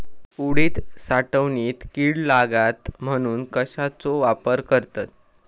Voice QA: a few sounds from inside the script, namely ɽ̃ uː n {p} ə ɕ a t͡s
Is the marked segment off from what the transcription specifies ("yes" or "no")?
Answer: yes